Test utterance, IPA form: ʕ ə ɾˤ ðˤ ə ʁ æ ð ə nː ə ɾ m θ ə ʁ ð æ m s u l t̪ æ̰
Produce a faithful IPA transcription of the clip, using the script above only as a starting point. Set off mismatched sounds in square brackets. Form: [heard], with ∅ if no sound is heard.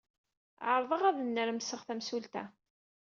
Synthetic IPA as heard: ʕ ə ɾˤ ðˤ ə ʁ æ ð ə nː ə ɾ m [s] ə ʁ [θ] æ m s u l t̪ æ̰